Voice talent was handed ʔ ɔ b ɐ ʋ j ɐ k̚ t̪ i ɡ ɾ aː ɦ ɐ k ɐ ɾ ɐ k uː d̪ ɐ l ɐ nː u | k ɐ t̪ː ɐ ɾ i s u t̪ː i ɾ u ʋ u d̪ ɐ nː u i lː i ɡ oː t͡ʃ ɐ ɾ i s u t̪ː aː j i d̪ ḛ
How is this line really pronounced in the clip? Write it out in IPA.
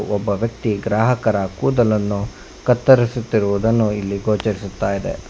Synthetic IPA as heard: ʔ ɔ bː ɐ ʋ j ɐ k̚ t̪ i ɡ ɾ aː ɦ ɐ k ɐ ɾ ɐ k uː d̪ ɐ l ɐ nː u | k ɐ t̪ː ɐ ɾ i s u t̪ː i ɾ u ʋ u d̪ ɐ nː u i lː i ɡ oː t͡ʃ ɐ ɾ i s u t̪ː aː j i d̪ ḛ